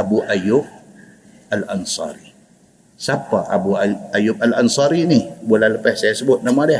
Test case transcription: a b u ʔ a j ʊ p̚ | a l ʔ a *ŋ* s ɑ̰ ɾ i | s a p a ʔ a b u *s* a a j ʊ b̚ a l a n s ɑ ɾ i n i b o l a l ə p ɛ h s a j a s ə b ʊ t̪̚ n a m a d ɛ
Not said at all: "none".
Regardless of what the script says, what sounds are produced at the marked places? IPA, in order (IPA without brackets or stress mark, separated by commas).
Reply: n, none